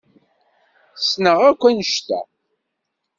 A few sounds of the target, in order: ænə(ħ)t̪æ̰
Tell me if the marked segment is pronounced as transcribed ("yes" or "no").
no